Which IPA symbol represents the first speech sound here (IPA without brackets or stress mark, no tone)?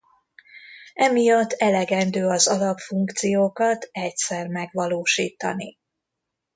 ɛ